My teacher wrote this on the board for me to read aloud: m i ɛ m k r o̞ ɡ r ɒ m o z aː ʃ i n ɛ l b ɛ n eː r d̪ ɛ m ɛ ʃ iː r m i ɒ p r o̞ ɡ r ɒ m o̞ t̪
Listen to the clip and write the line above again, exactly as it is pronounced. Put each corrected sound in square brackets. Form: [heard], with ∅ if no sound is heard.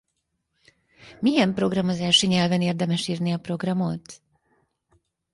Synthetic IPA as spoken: m i ɛ m [p] r o̞ ɡ r ɒ m o z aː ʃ i [ɲ] ɛ l [v] ɛ n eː r d̪ ɛ m ɛ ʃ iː r [n] i ɒ p r o̞ ɡ r ɒ m o̞ t̪